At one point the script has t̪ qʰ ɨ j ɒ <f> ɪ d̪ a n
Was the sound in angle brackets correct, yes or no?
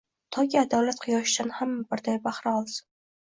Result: no